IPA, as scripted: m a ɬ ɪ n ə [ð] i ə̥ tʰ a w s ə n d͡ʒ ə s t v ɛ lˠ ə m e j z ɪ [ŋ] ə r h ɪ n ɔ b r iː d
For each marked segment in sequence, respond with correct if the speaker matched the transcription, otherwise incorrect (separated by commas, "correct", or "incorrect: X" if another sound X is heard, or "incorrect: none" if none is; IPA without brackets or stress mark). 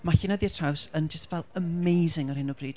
correct, correct